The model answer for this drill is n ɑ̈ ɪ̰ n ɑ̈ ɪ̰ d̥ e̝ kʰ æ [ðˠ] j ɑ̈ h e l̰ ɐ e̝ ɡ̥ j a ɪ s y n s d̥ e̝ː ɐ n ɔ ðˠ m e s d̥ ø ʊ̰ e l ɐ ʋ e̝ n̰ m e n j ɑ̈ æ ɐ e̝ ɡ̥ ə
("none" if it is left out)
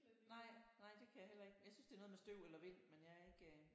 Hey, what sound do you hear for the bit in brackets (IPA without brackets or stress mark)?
none